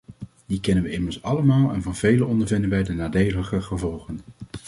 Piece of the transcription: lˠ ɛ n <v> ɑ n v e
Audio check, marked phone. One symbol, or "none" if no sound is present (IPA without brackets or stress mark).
v